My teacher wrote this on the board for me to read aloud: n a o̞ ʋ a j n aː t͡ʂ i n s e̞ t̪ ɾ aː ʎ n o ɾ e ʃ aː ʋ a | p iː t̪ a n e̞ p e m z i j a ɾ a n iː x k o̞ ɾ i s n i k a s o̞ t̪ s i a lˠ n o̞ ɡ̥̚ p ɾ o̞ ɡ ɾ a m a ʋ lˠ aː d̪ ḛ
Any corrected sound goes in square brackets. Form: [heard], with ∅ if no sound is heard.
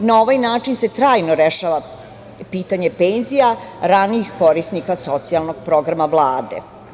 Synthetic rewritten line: n a o̞ ʋ a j n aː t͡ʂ i n s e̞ t̪ ɾ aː [j] n o ɾ e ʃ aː ʋ a | p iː t̪ a [ɲ] e̞ p e [n] z i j a ɾ a n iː x k o̞ ɾ i s n i k a s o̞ t̪ s i a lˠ n o̞ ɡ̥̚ p ɾ o̞ ɡ ɾ a m a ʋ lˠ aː d̪ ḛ